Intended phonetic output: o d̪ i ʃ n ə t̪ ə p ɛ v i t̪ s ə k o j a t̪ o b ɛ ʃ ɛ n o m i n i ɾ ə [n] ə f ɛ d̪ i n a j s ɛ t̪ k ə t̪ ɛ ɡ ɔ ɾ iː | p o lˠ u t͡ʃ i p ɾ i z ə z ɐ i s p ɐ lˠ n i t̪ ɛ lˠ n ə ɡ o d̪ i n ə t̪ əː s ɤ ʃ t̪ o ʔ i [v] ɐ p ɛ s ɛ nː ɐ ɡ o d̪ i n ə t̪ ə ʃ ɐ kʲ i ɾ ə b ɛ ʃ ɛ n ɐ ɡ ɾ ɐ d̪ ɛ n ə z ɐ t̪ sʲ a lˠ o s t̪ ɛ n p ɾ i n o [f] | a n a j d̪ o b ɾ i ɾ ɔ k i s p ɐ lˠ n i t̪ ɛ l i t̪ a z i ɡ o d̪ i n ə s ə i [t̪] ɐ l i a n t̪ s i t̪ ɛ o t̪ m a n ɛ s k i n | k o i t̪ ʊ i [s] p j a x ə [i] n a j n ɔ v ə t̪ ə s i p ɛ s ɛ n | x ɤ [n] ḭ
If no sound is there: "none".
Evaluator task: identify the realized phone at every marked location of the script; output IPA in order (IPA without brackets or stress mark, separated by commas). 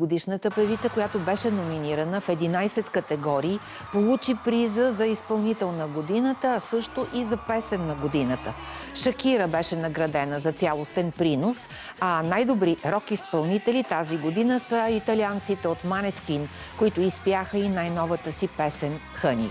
n, z, s, t̪, s, i, n